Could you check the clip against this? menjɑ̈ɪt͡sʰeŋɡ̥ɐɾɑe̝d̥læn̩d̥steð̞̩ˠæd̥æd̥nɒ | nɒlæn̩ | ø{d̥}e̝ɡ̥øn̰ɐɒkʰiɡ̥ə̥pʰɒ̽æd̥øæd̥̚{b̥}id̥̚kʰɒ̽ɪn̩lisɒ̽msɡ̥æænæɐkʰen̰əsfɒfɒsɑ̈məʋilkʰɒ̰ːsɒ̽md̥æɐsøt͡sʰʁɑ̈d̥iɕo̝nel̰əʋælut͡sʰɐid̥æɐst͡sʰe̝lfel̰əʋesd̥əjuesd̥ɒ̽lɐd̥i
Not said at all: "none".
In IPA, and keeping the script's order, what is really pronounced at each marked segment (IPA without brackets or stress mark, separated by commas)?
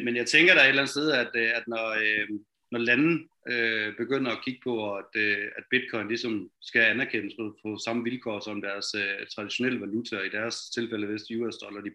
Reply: b̥, b̥